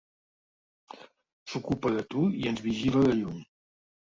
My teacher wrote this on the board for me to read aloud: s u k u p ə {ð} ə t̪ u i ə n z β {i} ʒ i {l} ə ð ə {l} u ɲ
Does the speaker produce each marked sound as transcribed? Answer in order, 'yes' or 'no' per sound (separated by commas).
yes, yes, yes, no